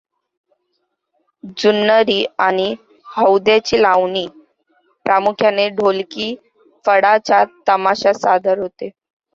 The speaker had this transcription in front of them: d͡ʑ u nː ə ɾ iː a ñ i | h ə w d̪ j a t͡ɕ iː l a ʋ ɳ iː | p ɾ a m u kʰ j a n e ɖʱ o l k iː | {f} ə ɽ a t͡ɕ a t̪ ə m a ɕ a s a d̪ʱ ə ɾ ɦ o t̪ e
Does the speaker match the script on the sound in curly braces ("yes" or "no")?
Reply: yes